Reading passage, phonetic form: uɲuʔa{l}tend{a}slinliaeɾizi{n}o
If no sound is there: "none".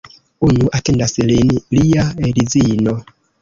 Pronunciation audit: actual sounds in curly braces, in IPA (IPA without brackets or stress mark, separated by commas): none, a, n